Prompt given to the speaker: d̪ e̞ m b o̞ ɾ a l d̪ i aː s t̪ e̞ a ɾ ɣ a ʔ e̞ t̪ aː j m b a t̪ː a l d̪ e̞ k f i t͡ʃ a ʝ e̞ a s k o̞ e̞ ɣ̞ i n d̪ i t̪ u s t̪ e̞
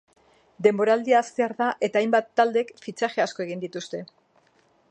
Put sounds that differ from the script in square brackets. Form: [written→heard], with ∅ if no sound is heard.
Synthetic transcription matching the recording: d̪ e̞ m b o̞ ɾ a l d̪ i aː s t̪ e̞ a ɾ [ɣ→ð] a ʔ e̞ t̪ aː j m b a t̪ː a l d̪ e̞ k f i t͡ʃ a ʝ e̞ a s k o̞ e̞ ɣ̞ i n d̪ i t̪ u s t̪ e̞